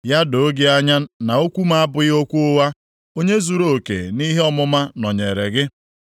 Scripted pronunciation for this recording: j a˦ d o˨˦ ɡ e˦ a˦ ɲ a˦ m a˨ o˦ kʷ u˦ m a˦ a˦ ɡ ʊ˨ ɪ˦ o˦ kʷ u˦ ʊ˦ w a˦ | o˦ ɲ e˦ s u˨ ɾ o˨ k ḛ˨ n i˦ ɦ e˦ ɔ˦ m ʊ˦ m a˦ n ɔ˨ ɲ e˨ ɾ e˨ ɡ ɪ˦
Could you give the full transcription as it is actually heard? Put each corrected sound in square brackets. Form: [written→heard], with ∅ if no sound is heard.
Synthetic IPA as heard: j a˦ d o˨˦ ɡ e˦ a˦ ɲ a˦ [m→n] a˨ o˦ kʷ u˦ m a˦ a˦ [ɡ→b] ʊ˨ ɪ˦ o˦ kʷ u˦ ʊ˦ w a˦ | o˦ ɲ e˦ [s→z] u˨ ɾ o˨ k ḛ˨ n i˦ ɦ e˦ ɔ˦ m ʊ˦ m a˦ n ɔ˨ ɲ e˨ ɾ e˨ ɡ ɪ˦